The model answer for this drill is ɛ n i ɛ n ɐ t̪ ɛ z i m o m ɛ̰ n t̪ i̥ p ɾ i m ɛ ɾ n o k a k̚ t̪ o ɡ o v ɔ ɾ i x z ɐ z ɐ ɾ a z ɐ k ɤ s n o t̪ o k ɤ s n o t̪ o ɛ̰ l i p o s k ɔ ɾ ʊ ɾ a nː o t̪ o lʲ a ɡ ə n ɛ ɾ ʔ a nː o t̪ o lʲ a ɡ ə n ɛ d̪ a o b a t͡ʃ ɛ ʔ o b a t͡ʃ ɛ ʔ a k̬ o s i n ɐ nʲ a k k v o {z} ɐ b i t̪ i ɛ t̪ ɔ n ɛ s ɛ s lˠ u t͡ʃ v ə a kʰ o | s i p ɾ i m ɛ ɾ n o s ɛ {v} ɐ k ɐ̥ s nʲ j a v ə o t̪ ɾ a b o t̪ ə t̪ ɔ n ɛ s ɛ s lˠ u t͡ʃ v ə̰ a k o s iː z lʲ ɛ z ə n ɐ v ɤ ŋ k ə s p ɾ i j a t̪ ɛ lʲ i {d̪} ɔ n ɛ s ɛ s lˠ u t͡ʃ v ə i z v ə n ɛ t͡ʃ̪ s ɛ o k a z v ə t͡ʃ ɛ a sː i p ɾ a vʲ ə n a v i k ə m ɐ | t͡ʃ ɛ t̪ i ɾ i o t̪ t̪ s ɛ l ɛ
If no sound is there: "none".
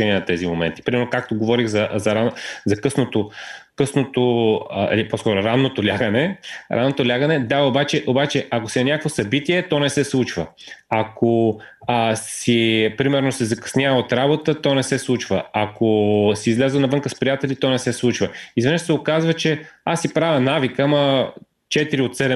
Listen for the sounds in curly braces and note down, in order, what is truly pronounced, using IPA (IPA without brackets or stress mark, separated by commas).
s, z, t̪